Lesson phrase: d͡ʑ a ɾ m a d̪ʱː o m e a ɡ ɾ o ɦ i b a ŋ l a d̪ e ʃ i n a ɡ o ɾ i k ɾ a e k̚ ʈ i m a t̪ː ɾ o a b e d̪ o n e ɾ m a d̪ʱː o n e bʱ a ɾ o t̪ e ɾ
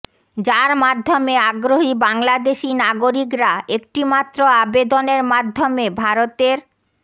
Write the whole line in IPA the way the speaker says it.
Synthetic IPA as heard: d͡ʑ a ɾ m a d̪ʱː o m e a ɡ ɾ o ɦ i b a ŋ l a d̪ e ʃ i n a ɡ o ɾ i k ɾ a e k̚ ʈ i m a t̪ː ɾ o a b e d̪ o n e ɾ m a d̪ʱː o m e bʱ a ɾ o t̪ e ɾ